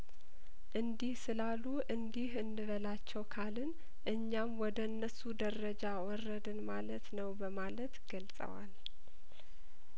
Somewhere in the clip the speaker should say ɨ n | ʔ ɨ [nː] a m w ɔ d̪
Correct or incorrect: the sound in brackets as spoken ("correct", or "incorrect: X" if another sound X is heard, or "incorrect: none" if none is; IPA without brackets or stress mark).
incorrect: ɲː